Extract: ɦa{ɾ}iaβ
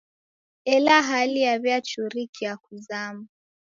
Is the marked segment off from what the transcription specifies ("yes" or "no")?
yes